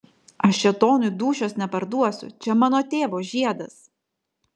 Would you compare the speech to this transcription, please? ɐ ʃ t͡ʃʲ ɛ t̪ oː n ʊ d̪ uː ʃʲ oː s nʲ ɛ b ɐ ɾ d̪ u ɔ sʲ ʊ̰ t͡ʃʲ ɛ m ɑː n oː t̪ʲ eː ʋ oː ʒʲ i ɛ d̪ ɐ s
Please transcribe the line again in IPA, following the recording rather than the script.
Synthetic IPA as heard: ɐ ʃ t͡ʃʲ ɛ t̪ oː n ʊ d̪ uː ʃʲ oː s nʲ ɛ p ɐ ɾ d̪ u ɔ sʲ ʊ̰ t͡ʃʲ ɛ m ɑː n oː t̪ʲ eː ʋ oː ʒʲ i ɛ d̪ ɐ s